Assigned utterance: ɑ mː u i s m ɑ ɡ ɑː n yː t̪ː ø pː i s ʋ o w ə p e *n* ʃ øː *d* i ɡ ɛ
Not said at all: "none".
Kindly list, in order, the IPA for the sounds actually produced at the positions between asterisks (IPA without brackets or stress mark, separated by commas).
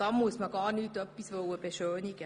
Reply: none, n